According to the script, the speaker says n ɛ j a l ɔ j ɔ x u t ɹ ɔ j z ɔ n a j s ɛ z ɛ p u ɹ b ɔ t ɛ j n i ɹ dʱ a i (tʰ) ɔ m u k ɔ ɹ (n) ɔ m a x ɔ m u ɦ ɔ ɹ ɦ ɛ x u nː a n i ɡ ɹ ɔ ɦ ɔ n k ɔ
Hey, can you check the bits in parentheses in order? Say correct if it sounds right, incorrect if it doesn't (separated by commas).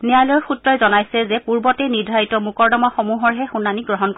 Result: incorrect, incorrect